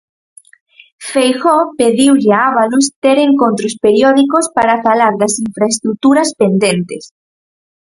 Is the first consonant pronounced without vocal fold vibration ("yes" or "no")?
yes